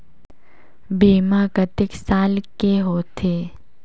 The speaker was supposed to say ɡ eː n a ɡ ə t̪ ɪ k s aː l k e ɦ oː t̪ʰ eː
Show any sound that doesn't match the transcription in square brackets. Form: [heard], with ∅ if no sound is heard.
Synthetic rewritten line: [b] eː [m] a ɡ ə t̪ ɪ k s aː l k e ɦ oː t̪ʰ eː

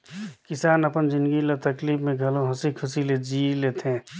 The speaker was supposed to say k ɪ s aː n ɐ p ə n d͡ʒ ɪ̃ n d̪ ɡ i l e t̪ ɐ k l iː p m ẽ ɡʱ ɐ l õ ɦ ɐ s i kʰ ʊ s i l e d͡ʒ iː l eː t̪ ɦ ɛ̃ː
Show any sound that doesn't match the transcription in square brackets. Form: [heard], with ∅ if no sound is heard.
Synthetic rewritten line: k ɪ s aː n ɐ p ə n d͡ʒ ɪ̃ n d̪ ɡ i l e t̪ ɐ k l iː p m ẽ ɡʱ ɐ l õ ɦ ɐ s i kʰ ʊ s i l e d͡ʒ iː l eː t̪ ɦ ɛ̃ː

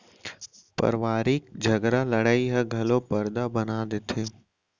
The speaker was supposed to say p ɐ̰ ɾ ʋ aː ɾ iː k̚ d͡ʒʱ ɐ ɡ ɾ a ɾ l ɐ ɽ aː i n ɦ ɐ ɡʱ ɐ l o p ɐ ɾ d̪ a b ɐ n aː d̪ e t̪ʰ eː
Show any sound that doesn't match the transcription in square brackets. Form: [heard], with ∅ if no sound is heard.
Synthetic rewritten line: p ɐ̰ ɾ ʋ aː ɾ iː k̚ d͡ʒʱ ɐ ɡ ɾ a [∅] l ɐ ɽ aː i [∅] ɦ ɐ ɡʱ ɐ l o p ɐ ɾ d̪ a b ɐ n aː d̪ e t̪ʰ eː

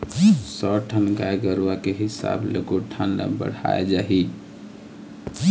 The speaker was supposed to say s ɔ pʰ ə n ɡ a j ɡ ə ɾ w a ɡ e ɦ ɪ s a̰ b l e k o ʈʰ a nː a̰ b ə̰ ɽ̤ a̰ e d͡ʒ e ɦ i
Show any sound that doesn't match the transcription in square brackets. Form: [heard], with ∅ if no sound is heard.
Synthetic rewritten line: s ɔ [ʈʰ] ə n ɡ a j ɡ ə ɾ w a [k] e ɦ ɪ s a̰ b l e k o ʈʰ a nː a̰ b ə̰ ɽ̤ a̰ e d͡ʒ [a] ɦ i

